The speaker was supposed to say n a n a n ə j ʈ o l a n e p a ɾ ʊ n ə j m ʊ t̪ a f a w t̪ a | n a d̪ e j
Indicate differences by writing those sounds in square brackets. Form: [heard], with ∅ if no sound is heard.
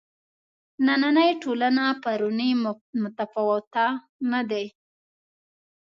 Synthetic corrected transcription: n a n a n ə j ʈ o l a n [a] p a ɾ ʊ n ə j m ʊ t̪ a f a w t̪ a | n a d̪ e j